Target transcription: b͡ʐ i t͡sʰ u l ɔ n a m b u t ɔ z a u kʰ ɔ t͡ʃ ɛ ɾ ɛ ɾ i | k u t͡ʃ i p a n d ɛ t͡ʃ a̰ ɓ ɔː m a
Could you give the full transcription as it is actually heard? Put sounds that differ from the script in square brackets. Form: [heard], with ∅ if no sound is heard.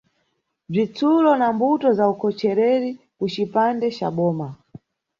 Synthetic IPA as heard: b͡ʐ i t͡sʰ u l ɔ n a m b u t ɔ z a u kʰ ɔ t͡ʃ ɛ ɾ ɛ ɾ i | k u t͡ʃ i p a n d ɛ t͡ʃ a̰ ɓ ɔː m a

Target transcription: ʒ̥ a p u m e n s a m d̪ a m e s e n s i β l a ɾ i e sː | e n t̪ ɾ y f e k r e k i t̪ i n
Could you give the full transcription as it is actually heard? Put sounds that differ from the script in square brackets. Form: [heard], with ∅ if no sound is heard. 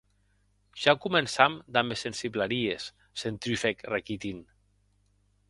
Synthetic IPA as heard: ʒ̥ a [k] u m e n s a m d̪ a m e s e n s i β l a ɾ i e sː | e n t̪ ɾ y f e k r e k i t̪ i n

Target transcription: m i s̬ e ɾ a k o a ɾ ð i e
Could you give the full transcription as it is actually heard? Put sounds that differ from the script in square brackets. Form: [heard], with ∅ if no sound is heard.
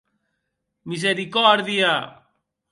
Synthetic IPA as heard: m i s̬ e ɾ [i] k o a ɾ ð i [a]

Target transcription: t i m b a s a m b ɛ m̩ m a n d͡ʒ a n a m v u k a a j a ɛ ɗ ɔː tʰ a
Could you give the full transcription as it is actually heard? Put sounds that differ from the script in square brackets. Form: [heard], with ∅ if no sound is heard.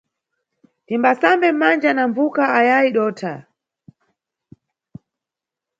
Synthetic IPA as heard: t i m b a s a m b ɛ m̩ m a n d͡ʒ a n a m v u k a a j a [i] ɗ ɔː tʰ a

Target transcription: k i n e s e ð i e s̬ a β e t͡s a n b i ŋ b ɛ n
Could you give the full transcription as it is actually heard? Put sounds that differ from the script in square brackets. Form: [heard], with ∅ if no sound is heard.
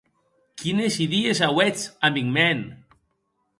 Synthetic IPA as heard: k i n e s [i] ð i e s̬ a [w] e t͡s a [m] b i ŋ [m] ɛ n

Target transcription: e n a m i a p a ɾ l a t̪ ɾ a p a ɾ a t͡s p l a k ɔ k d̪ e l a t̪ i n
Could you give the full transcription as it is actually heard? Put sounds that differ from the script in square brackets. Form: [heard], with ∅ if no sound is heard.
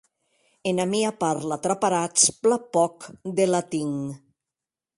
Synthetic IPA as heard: e n a m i a p a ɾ l a t̪ ɾ a p a ɾ a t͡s p l a [p] ɔ k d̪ e l a t̪ i [ŋ]

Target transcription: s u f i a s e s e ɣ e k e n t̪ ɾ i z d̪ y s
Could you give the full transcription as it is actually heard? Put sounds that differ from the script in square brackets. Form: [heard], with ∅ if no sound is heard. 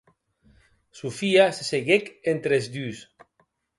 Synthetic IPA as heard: s u f i a s e s e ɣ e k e n t̪ ɾ [e] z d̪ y s

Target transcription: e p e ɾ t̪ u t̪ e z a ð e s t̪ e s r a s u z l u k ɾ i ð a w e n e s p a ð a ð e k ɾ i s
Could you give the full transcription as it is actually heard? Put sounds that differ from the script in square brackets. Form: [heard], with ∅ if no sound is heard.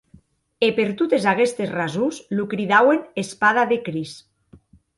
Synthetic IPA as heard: e p e ɾ t̪ u t̪ e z a [ɣ] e s t̪ e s r a [z] u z l u k ɾ i ð a w e n e s p a ð a ð e k ɾ i s

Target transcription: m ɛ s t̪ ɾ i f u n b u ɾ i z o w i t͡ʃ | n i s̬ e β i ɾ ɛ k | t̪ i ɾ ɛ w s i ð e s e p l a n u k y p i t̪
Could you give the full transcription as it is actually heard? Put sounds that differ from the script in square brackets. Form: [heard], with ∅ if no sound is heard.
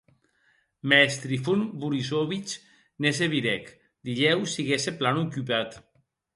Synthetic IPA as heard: m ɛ s t̪ ɾ i f u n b u ɾ i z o [β] i t͡ʃ | n [e] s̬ e β i ɾ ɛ k | [d̪] i [ʎ] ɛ w s i [ɣ] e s e p l a n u k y p [a] t̪

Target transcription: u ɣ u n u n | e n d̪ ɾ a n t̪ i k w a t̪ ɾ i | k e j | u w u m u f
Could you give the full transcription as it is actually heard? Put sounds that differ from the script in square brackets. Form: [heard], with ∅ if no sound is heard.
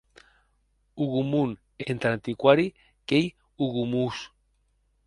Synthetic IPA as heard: u ɣ u [m] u n | e n [t̪] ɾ a n t̪ i k w a [∅] ɾ i | k e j | u [ɣ] u m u [s]

